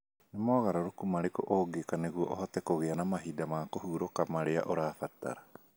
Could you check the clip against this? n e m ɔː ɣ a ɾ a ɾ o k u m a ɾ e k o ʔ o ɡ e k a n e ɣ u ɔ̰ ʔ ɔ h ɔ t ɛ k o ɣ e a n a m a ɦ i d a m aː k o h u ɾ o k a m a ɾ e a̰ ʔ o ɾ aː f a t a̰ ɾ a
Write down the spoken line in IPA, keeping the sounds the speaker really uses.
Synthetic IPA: n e m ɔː ɣ a ɾ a ɾ o k u m a ɾ e k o ʔ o ɡ e k a n e ɣ u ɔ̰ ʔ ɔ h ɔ t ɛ k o ɣ e a n a m a ɦ i d a m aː k o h u ɾ o k a m a ɾ e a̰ ʔ o ɾ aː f a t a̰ ɾ a